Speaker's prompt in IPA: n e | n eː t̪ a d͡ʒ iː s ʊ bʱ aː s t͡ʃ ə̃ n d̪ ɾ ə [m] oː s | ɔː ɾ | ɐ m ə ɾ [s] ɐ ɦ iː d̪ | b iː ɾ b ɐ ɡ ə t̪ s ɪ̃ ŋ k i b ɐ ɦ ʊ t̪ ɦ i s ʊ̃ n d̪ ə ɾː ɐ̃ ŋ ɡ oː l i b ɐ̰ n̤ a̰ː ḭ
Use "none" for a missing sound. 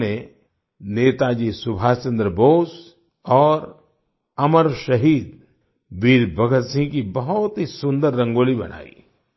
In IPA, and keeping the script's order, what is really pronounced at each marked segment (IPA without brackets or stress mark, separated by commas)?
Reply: b, ʃ